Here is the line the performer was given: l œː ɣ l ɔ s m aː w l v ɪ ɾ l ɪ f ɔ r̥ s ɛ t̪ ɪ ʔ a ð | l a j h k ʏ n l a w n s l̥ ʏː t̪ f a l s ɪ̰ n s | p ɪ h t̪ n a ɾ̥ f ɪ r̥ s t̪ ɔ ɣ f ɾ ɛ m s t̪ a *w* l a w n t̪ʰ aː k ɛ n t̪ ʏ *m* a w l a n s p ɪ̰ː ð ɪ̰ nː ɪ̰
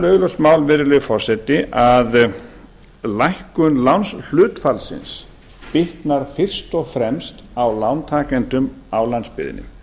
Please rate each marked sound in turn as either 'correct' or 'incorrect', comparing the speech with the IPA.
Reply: correct, correct

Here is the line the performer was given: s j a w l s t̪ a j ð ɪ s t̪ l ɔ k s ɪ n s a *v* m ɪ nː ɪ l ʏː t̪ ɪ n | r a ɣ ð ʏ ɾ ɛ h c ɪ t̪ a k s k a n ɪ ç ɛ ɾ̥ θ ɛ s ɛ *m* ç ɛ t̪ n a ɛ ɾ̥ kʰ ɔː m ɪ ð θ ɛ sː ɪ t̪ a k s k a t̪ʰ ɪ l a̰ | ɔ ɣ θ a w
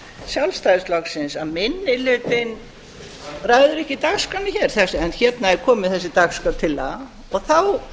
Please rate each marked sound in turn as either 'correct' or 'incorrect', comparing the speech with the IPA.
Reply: incorrect: ð, incorrect: n

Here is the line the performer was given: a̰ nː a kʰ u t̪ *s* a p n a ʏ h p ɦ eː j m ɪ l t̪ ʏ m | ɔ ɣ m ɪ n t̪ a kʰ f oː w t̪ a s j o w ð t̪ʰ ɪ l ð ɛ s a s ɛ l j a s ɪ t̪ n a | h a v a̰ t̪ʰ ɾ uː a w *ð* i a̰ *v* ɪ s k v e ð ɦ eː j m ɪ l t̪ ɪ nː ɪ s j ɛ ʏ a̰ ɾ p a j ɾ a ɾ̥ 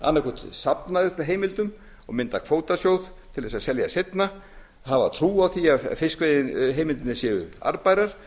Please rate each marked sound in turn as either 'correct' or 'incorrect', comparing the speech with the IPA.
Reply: correct, incorrect: θ, incorrect: f

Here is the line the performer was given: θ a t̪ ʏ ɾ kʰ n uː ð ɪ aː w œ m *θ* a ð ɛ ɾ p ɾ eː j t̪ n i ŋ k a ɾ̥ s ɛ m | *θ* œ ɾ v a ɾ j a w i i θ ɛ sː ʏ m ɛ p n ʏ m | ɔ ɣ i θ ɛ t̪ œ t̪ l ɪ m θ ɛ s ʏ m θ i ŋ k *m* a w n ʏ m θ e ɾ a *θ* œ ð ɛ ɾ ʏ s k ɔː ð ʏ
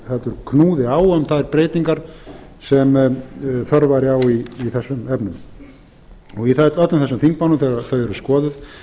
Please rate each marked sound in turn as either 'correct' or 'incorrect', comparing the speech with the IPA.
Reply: correct, correct, correct, correct

